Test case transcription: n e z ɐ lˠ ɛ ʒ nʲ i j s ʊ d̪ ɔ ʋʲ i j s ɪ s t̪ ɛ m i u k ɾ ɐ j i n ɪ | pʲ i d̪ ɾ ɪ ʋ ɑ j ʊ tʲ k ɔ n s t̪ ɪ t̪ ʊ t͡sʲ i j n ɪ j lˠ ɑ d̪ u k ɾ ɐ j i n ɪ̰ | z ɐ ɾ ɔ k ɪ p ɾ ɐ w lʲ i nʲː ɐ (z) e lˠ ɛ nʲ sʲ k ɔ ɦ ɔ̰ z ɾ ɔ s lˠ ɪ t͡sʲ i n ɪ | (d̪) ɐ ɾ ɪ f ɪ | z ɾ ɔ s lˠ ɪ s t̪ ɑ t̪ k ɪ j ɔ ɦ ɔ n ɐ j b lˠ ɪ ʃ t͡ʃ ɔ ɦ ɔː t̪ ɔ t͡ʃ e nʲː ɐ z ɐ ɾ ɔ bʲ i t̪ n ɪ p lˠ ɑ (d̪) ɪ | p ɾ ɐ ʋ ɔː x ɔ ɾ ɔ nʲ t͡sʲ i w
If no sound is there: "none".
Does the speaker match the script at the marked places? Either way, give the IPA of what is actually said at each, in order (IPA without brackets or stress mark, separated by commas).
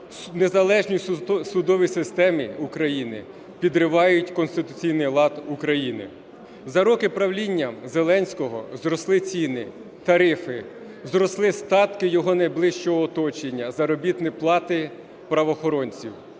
z, t̪, t̪